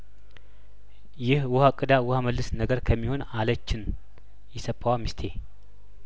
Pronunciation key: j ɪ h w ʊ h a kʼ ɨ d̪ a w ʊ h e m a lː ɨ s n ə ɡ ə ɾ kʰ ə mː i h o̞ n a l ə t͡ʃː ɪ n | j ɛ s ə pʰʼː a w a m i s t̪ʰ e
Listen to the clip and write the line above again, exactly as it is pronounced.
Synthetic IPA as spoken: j ɪ h w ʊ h a kʼ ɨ d̪ a w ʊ h a m ə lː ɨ s n ə ɡ ə ɾ kʰ ə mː i h o̞ n a l ə t͡ʃː ɪ n | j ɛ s ə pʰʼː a w a m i s t̪ʰ e